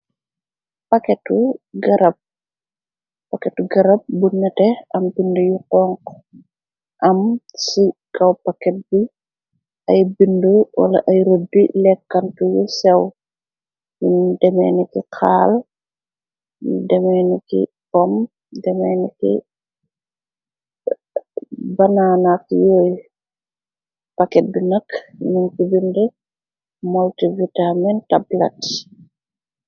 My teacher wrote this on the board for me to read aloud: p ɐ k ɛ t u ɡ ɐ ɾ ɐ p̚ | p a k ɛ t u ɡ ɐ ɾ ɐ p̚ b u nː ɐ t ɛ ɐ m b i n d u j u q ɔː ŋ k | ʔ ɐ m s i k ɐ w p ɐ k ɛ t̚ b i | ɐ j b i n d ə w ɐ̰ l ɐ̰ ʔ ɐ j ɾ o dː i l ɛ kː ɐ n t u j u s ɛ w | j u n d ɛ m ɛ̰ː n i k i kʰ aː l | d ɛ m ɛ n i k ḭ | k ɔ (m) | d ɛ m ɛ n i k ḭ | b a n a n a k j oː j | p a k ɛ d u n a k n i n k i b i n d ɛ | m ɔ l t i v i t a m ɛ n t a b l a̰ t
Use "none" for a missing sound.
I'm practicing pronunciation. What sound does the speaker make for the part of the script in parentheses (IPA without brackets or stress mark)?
m